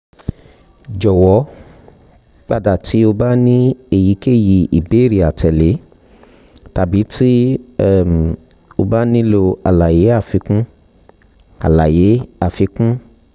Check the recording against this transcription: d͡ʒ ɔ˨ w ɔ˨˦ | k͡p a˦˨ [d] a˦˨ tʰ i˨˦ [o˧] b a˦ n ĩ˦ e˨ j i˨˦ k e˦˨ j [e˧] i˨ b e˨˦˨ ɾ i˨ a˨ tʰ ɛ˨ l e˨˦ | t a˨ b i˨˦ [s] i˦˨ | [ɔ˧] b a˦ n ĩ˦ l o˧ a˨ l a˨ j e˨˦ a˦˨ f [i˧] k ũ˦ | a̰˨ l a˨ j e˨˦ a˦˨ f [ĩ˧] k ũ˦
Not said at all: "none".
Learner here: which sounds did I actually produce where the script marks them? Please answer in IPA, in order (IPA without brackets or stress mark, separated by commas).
d, o˧, i˧, t, o˧, i˧, i˧